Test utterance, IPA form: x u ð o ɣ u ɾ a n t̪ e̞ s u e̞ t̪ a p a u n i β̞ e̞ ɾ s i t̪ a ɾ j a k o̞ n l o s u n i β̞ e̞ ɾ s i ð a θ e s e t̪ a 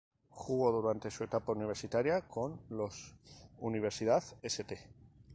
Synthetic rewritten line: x u ɣ o ð u ɾ a n t̪ e̞ s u e̞ t̪ a p a u n i β̞ e̞ ɾ s i t̪ a ɾ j a k o̞ n l o s u n i β̞ e̞ ɾ s i ð a θ e s e t̪ e